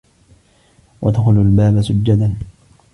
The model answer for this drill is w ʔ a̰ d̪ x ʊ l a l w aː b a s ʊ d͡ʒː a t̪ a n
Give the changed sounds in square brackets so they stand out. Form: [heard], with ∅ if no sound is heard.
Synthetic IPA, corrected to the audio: w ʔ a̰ d̪ x ʊ l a l [b] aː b a s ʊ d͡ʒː a [d̪] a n